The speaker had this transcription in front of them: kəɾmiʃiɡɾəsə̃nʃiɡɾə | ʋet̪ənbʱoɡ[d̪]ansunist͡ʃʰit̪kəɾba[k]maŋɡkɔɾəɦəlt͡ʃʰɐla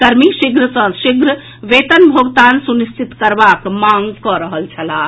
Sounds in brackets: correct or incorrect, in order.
incorrect: t̪, correct

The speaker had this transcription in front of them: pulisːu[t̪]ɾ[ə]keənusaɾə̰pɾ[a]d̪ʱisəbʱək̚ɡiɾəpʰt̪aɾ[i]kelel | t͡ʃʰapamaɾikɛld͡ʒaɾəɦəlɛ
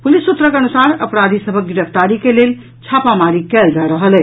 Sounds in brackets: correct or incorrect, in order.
correct, correct, correct, correct

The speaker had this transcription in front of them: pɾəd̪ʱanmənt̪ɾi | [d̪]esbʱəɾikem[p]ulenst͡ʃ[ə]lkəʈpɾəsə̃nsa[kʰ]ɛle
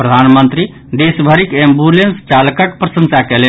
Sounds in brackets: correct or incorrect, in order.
correct, incorrect: b, incorrect: a, incorrect: k

